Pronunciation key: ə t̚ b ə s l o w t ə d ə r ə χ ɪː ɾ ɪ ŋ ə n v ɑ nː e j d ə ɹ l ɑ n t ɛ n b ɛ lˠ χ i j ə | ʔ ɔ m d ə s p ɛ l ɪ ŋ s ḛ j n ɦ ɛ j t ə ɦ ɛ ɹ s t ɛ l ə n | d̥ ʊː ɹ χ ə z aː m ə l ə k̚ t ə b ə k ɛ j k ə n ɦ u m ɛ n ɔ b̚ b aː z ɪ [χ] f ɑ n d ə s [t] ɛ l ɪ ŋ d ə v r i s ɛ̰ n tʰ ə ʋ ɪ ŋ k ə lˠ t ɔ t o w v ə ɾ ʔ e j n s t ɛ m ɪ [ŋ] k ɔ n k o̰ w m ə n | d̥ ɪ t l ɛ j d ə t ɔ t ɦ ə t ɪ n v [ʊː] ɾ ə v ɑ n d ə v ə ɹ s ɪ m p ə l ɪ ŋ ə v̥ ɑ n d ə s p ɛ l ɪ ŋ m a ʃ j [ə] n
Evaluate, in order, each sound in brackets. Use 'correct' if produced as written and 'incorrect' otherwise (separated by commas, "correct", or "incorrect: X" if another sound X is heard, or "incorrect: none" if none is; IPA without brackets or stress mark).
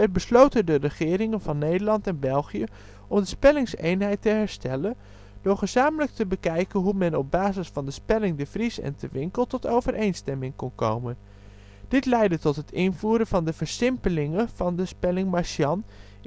incorrect: s, incorrect: p, correct, incorrect: uː, incorrect: ɑ